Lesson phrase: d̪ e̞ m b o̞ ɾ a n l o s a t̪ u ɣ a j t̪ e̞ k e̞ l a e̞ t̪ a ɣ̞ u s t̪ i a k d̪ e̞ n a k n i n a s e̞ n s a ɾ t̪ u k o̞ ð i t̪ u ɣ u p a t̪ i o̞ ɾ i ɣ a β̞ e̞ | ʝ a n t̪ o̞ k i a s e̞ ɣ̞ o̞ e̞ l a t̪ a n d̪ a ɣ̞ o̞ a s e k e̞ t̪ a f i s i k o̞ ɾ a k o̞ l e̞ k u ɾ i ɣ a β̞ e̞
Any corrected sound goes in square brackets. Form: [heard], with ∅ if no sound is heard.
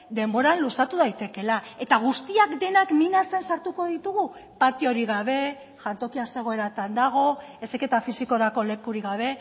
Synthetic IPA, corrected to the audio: d̪ e̞ m b o̞ ɾ a n l [u] s a t̪ u [ð] a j t̪ e̞ k e̞ l a e̞ t̪ a ɣ̞ u s t̪ i a k d̪ e̞ n a k n i n a s e̞ n s a ɾ t̪ u k o̞ ð i t̪ u ɣ u p a t̪ i o̞ ɾ i ɣ a β̞ e̞ | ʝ a n t̪ o̞ k i a s e̞ ɣ̞ o̞ e̞ [ɾ] a t̪ a n d̪ a ɣ̞ o̞ [e] s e k e̞ t̪ a f i s i k o̞ ɾ a k o̞ l e̞ k u ɾ i ɣ a β̞ e̞